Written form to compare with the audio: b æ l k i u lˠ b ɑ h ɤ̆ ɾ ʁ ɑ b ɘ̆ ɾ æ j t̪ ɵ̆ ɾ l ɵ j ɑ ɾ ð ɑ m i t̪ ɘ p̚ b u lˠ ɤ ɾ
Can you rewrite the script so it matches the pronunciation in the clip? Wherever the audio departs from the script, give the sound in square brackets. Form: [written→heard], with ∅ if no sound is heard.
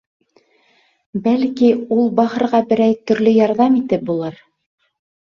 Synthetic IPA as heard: b æ l k i u lˠ b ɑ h ɤ̆ ɾ ʁ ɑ b ɘ̆ ɾ æ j t̪ ɵ̆ ɾ l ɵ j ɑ ɾ ð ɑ m i t̪ ɘ p̚ b u lˠ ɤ ɾ